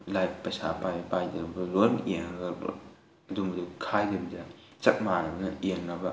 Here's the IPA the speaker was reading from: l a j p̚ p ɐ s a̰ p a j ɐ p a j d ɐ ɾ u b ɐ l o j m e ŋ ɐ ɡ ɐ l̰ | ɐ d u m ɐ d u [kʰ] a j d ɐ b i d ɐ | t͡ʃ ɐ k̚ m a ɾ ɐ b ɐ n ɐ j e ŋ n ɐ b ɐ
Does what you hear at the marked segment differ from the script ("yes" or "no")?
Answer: no